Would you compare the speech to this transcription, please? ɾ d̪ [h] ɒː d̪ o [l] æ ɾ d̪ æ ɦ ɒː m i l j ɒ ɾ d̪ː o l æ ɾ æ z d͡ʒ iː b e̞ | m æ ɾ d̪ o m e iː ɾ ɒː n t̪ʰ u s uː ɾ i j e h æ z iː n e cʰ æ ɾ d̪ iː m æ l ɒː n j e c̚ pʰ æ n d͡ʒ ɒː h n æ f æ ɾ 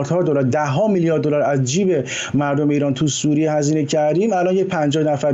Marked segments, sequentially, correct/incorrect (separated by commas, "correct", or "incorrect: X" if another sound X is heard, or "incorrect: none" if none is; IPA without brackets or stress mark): correct, correct